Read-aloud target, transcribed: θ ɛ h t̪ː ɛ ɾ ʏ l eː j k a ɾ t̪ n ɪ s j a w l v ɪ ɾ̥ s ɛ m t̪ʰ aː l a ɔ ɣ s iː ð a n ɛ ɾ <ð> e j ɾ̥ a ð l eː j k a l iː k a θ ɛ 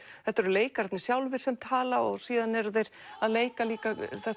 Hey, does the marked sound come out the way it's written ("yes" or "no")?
yes